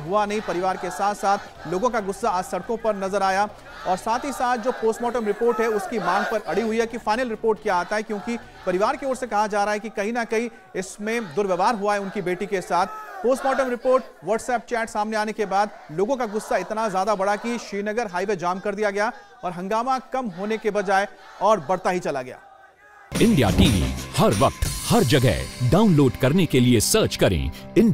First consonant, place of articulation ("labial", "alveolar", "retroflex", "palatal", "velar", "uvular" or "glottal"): glottal